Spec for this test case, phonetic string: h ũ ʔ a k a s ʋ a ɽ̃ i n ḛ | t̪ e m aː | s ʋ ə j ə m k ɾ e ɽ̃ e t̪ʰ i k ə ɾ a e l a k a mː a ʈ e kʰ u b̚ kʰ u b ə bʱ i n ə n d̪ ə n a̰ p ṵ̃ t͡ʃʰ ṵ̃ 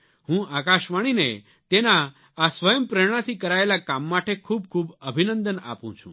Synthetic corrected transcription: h ũ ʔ a k a ʃ ʋ a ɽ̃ i n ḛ | t̪ e n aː | s ʋ ə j ə m p ɾ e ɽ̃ a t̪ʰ i k ə ɾ a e l a k a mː a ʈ e kʰ u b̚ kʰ u b ə bʱ i n ə n d̪ ə n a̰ p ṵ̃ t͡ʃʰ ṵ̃